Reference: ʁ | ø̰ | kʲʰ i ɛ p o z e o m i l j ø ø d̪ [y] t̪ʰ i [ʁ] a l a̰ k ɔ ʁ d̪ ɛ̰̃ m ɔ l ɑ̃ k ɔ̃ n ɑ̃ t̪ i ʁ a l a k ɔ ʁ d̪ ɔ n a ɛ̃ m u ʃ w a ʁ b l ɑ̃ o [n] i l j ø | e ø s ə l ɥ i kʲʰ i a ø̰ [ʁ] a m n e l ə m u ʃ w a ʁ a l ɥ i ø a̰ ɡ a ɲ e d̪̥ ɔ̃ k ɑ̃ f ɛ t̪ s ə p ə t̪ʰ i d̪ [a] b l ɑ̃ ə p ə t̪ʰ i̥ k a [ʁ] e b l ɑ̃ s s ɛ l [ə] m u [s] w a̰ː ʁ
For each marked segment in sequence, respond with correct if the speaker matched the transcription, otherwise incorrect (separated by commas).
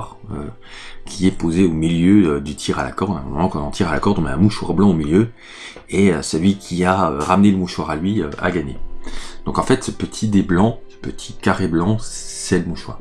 correct, correct, incorrect, correct, incorrect, correct, correct, incorrect